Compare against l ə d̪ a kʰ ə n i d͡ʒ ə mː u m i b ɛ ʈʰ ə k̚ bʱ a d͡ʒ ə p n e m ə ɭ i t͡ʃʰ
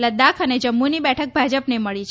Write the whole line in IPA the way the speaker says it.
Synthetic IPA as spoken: l ə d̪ a kʰ ə n e d͡ʒ ə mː u n i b ɛ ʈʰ ə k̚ bʱ a d͡ʒ ə p n e m ə ɭ i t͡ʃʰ